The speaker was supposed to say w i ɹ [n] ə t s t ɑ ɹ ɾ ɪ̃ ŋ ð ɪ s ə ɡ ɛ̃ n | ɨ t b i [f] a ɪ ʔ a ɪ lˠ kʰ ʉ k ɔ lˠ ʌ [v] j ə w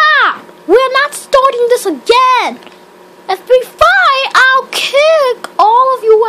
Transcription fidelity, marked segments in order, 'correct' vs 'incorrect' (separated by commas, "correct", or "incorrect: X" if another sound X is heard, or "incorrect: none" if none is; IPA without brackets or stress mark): correct, correct, correct